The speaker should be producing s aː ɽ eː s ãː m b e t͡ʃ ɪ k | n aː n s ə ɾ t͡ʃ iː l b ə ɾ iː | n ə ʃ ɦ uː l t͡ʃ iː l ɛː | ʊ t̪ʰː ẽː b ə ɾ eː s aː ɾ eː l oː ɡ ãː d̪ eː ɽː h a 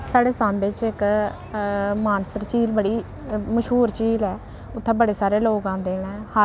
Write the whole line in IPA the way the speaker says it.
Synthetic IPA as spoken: s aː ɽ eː s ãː m b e t͡ʃ ɪ k | m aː n s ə ɾ t͡ʃ iː l b ə ɽ iː | m ə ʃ ɦ uː ɾ t͡ʃ iː l ɛː | ʊ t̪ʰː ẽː b ə ɽ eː s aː ɾ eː l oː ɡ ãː d̪ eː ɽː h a

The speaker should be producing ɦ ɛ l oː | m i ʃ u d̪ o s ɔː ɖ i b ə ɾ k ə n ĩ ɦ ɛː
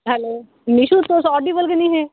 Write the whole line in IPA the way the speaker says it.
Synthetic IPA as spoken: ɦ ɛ l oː | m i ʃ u t̪ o s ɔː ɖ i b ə l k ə n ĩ ɦ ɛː

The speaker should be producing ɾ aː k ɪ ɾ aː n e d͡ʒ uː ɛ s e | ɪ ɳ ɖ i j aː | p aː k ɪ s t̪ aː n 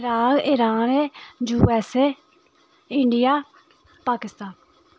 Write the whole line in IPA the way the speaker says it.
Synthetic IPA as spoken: ɾ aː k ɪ ɾ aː n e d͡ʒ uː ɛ s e | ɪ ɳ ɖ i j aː | p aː k ɪ s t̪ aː n

